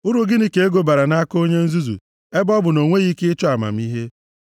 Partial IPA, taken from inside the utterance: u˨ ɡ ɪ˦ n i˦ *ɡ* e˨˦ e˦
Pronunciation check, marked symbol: incorrect: k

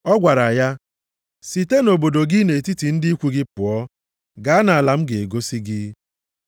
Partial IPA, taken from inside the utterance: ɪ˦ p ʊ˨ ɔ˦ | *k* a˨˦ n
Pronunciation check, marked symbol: incorrect: ɡ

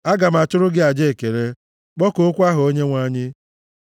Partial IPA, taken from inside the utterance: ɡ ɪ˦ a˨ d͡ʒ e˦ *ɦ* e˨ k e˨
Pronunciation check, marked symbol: incorrect: none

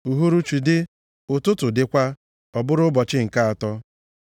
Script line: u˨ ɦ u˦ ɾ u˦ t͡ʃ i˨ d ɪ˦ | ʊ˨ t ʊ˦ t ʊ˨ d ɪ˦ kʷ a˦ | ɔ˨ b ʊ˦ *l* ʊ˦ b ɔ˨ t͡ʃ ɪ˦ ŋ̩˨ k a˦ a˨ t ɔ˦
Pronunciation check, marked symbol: incorrect: ɾ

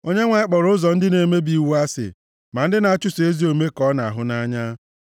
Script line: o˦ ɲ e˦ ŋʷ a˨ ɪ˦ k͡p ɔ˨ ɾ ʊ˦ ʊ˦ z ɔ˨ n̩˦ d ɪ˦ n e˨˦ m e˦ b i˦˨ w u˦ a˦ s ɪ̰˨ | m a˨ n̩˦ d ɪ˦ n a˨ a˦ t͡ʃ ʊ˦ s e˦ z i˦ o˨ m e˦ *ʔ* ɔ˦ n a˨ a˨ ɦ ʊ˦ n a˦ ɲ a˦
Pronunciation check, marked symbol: incorrect: k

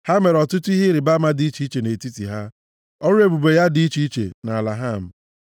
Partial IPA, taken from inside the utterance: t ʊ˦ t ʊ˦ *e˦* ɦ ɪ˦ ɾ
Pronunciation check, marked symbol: incorrect: i˦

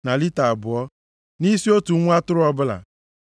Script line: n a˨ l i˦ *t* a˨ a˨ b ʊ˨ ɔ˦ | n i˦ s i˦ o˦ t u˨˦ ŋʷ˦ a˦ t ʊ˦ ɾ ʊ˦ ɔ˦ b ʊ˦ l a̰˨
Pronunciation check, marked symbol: correct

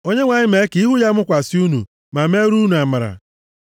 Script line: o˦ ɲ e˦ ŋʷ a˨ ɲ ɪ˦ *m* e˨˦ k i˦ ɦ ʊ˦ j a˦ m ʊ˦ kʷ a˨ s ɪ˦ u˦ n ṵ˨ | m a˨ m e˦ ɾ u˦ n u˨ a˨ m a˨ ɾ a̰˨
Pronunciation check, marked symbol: correct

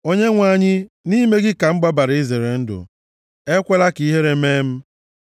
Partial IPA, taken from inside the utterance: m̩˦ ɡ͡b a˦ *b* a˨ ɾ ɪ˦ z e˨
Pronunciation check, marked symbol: correct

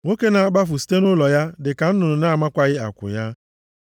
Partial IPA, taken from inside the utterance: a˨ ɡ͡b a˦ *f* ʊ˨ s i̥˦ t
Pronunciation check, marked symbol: correct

